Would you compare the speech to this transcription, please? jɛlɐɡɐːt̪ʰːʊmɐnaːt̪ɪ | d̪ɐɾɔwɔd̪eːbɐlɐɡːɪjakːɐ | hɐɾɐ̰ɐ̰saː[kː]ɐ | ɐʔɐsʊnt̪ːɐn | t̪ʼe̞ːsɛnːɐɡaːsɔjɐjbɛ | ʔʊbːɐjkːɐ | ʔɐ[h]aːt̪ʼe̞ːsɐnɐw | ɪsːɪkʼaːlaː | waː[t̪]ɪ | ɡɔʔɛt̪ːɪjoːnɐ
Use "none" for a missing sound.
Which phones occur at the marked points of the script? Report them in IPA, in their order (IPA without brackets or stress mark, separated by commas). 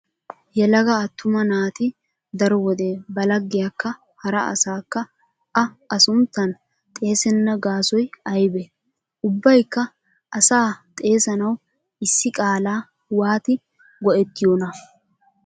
kː, s, t̪